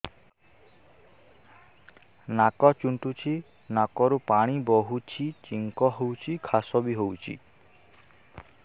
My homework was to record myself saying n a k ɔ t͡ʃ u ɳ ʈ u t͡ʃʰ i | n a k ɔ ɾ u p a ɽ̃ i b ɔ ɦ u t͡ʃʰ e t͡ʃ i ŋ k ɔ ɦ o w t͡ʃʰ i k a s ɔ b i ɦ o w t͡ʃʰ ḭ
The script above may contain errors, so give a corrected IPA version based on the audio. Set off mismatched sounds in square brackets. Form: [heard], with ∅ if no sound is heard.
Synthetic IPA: n a k ɔ t͡ʃ u ɳ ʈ u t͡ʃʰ i | n a k ɔ ɾ u p a ɽ̃ i b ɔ ɦ u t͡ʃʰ [i] t͡ʃ i ŋ k ɔ ɦ o w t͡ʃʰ i [kʰ] a s ɔ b i ɦ o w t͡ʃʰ ḭ

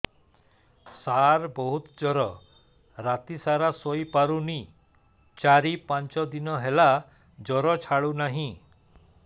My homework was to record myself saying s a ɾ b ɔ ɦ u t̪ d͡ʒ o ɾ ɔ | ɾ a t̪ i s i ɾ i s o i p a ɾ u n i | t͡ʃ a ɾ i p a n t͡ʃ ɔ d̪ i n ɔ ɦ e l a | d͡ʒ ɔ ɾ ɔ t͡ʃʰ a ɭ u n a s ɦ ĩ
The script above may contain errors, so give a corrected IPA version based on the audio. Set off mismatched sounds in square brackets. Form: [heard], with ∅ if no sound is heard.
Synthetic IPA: s a ɾ b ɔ ɦ u t̪ d͡ʒ [ɔ] ɾ ɔ | ɾ a t̪ i s [a] ɾ [a] s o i p a ɾ u n i | t͡ʃ a ɾ i p a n t͡ʃ ɔ d̪ i n ɔ ɦ e l a | d͡ʒ ɔ ɾ ɔ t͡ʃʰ a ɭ u n a [∅] ɦ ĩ

